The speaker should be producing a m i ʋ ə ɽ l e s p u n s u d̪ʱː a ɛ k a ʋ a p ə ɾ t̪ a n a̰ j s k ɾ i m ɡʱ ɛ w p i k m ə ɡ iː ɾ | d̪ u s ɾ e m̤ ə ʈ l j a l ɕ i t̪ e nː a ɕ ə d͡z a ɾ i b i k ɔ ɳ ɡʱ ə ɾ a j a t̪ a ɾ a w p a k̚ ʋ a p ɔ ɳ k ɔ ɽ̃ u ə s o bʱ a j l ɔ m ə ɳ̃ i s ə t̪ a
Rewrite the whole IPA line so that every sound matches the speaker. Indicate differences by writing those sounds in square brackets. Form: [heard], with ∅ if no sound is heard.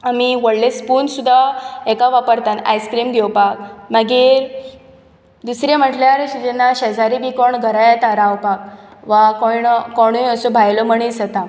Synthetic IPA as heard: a m i ʋ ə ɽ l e s p u n s u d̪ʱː a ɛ k a ʋ a p ə ɾ t̪ a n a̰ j s k ɾ i m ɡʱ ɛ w p [a] k m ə ɡ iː ɾ | d̪ u s ɾ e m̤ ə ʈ l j a [ɾ] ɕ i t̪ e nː a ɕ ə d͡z a ɾ i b i k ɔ ɳ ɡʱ ə ɾ a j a t̪ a ɾ a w p a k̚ ʋ a [k] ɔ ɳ k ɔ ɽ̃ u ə s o bʱ a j l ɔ m ə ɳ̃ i s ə t̪ a